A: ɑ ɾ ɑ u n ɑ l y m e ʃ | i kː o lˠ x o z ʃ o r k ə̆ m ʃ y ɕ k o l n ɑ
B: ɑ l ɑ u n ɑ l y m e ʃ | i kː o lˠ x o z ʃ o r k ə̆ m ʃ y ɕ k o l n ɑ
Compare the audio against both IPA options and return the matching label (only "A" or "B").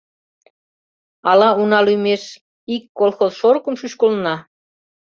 B